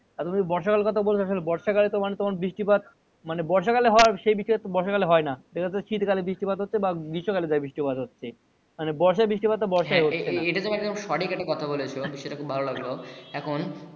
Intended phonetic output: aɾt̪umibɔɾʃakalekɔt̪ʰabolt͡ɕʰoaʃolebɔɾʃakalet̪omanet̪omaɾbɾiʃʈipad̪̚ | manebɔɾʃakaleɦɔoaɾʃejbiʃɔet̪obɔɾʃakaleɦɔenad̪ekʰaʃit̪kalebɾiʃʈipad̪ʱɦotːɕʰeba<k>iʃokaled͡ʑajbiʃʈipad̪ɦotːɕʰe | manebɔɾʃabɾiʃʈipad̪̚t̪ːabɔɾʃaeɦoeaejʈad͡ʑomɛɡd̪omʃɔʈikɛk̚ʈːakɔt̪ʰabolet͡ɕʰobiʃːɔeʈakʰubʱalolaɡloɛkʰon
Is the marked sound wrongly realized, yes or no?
yes